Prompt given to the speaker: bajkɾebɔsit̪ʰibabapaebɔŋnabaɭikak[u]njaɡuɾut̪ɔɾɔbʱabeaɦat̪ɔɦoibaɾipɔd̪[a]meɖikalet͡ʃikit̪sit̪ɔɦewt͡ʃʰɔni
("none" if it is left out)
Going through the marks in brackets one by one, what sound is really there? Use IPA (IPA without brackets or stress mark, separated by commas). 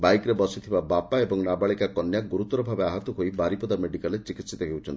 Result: ɔ, a